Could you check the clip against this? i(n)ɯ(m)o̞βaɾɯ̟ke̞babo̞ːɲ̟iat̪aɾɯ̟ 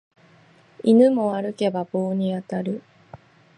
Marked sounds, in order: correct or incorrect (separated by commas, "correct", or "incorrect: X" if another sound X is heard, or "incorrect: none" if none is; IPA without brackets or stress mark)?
correct, correct